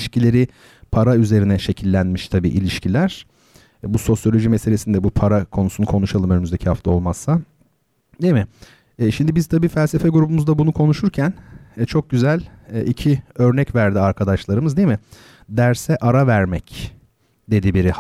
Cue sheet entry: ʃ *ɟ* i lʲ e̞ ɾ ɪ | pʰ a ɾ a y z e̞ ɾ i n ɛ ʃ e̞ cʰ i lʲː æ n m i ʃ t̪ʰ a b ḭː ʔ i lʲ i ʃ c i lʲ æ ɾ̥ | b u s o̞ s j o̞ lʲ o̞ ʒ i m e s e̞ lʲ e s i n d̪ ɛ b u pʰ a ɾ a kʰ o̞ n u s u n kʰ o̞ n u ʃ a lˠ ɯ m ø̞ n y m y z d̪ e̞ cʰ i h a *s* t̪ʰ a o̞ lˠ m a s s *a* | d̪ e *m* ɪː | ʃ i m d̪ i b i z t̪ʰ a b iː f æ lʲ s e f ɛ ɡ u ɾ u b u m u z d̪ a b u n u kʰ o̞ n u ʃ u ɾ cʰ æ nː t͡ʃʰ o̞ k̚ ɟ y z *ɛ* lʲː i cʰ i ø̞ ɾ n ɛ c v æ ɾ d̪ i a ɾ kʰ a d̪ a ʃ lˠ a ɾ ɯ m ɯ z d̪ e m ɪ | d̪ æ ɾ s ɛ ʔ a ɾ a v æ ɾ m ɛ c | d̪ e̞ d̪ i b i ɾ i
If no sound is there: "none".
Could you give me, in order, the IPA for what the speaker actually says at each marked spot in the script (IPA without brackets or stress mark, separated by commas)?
c, f, a, m, æ